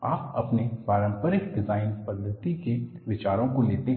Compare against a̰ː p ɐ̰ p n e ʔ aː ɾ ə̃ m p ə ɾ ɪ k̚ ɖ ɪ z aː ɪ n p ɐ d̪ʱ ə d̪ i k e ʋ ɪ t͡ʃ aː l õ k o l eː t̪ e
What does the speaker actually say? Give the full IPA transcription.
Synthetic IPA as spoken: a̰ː p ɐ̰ p n e p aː ɾ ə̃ m p ə ɾ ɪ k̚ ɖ ɪ z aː ɪ n p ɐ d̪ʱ ə t̪ i k e ʋ ɪ t͡ʃ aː ɾ õ k o l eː t̪ e